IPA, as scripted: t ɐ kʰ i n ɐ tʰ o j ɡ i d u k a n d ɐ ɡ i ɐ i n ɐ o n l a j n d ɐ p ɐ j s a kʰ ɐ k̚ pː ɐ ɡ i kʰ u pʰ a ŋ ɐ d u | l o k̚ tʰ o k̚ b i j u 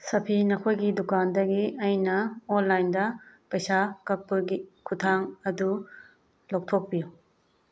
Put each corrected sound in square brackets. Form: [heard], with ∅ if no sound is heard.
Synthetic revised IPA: [s] ɐ [pʰ] i n ɐ [kʰ] o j ɡ i d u k a n d ɐ ɡ i ɐ [j] n ɐ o n l a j n d ɐ p ɐ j s a [k] ɐ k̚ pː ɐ ɡ i kʰ u [tʰ] a ŋ ɐ d u | l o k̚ tʰ o k̚ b i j u

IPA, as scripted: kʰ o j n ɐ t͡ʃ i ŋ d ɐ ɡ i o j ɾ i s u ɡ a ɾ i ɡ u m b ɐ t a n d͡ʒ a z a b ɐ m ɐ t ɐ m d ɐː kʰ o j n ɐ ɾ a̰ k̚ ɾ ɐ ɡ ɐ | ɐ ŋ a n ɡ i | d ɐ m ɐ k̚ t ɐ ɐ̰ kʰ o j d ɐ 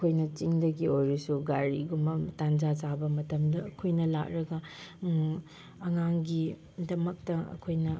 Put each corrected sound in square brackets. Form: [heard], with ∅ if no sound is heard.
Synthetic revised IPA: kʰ o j n ɐ t͡ʃ i ŋ d ɐ ɡ i o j ɾ i s u ɡ a ɾ i ɡ u m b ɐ t a n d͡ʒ a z a b ɐ m ɐ t ɐ m d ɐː kʰ o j n ɐ [l] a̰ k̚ ɾ ɐ ɡ ɐ | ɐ ŋ a [ŋ] ɡ i | d ɐ m ɐ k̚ t ɐ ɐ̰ kʰ o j [n] ɐ

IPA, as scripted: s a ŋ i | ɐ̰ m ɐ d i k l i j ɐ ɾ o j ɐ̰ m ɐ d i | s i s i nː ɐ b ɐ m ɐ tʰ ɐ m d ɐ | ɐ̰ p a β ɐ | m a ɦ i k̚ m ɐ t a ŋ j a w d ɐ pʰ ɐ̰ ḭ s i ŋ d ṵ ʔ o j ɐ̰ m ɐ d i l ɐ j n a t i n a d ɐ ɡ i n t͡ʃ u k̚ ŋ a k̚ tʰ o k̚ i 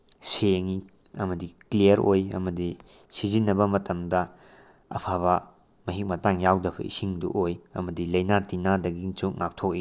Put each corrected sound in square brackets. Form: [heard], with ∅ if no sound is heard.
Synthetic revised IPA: s [e] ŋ i | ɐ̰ m ɐ d i k l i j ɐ ɾ o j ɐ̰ m ɐ d i | s i [z] i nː ɐ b ɐ m ɐ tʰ ɐ m d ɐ | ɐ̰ [pʰ] a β ɐ | m [ɐ] ɦ i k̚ m ɐ t a ŋ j a w d ɐ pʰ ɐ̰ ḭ s i ŋ d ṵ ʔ o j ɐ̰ m ɐ d i l ɐ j n a t i n a d ɐ ɡ i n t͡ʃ u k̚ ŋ a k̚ tʰ o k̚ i

